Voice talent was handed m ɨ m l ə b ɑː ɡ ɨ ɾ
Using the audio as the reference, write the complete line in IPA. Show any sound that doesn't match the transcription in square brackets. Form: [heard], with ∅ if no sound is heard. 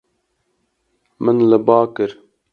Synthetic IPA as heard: m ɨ [n] l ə b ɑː [k] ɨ ɾ